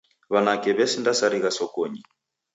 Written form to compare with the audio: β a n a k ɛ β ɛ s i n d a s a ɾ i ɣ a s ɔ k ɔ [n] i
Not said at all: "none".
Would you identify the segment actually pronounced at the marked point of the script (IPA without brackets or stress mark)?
ɲ